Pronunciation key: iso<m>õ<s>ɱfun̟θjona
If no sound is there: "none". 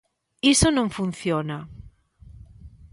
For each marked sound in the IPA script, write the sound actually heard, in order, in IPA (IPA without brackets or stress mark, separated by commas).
n, none